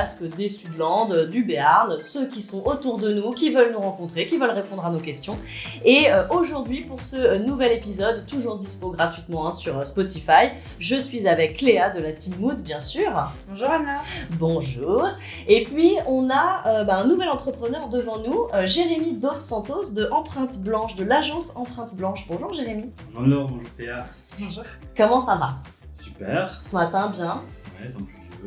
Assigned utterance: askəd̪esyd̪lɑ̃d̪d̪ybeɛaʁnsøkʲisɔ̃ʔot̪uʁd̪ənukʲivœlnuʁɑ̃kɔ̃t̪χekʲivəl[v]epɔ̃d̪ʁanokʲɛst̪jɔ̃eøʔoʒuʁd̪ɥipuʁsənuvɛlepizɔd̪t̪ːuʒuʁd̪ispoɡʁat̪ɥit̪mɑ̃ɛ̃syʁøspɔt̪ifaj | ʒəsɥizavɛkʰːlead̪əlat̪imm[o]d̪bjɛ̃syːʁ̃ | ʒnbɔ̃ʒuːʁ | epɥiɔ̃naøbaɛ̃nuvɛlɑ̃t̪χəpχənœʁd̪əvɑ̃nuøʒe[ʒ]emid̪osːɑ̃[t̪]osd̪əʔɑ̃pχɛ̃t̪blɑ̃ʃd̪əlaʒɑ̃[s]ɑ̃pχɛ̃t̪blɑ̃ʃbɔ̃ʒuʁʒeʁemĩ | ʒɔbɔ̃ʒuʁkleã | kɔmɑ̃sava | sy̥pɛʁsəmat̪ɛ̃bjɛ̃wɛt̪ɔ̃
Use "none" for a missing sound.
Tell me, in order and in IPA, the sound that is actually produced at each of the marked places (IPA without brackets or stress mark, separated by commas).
ʁ, u, ʁ, t̪, s